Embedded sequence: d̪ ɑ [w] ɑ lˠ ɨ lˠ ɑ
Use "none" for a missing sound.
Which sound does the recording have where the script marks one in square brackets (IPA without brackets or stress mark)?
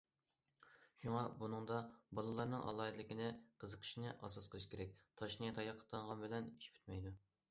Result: b